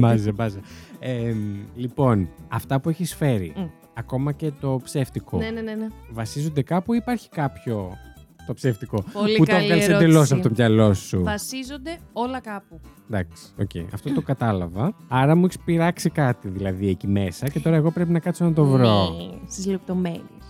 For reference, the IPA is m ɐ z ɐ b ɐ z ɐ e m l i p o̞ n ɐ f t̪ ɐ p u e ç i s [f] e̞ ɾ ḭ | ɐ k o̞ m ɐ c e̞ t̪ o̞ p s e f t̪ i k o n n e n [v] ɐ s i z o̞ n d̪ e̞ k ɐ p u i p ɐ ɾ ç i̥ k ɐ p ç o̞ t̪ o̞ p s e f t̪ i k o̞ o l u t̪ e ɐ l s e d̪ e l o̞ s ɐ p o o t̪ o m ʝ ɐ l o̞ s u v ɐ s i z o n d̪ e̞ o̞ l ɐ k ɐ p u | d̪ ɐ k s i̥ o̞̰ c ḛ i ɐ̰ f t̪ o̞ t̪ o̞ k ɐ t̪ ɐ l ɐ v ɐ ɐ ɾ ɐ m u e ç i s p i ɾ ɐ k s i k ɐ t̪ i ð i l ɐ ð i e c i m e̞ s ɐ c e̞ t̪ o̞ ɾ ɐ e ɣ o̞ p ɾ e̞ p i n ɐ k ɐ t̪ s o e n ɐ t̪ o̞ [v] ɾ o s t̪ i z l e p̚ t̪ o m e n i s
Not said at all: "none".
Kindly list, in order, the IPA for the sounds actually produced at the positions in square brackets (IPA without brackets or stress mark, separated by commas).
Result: f, v, v